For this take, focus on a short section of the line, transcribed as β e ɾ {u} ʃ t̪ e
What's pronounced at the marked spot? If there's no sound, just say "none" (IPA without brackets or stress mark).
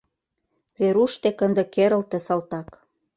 u